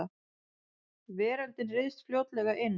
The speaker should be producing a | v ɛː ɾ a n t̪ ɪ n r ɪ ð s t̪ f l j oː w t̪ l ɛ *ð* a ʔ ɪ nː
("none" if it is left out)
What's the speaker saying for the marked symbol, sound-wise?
ɣ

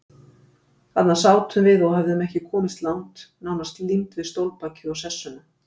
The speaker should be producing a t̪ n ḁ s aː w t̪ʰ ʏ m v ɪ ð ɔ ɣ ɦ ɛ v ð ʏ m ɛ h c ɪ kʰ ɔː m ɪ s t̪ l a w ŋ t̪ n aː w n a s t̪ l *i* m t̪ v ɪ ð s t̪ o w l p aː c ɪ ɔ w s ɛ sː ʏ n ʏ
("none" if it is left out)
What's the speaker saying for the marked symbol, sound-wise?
i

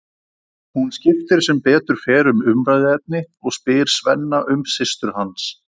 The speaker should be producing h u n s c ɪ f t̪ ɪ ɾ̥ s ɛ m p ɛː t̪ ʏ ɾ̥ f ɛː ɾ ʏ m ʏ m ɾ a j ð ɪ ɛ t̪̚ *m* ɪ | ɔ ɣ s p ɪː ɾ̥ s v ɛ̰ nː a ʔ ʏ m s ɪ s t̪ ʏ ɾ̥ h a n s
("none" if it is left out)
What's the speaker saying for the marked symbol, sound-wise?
n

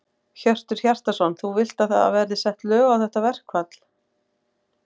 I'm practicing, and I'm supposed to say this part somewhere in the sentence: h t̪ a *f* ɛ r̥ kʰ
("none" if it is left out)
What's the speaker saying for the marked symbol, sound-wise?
v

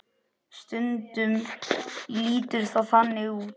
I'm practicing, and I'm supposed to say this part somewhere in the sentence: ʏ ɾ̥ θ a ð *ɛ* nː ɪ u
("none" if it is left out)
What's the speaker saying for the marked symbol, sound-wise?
a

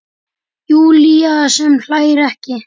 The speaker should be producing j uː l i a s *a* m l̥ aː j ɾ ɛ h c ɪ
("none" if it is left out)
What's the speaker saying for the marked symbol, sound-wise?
ɛ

